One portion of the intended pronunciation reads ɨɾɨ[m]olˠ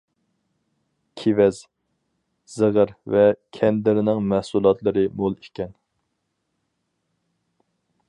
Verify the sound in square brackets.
correct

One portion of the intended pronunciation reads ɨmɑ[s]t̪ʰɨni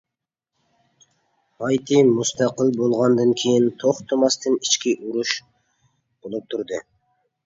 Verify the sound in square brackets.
correct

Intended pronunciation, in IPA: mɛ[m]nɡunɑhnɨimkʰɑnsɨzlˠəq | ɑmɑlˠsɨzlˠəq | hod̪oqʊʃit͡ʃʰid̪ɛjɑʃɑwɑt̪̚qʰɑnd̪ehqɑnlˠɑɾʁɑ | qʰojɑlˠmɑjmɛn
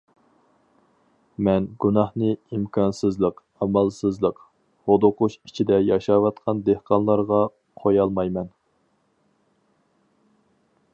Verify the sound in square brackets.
incorrect: none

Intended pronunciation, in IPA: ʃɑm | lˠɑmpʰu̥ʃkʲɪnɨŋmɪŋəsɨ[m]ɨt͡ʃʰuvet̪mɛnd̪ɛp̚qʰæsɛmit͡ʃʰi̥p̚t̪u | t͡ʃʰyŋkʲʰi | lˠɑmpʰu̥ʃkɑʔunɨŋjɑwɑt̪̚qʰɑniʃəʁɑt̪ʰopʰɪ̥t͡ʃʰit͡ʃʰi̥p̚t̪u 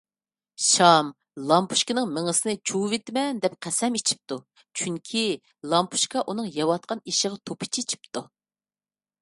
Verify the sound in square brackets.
incorrect: n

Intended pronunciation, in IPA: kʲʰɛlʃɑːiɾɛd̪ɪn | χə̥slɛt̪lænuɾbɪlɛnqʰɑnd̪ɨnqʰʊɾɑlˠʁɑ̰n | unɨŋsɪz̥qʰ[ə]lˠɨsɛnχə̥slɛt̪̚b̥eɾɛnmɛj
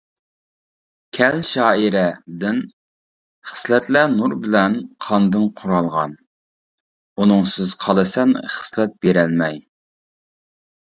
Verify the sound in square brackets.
incorrect: ɑ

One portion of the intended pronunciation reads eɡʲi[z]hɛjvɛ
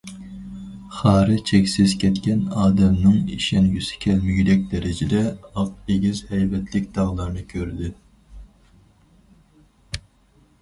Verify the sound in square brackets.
correct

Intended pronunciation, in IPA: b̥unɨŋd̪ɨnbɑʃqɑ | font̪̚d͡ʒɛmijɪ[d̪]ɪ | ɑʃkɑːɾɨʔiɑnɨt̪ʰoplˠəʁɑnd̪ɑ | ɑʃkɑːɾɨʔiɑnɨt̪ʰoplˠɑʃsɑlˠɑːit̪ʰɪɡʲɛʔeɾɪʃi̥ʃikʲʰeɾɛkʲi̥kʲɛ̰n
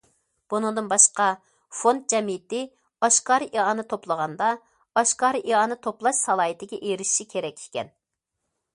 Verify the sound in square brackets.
incorrect: t̪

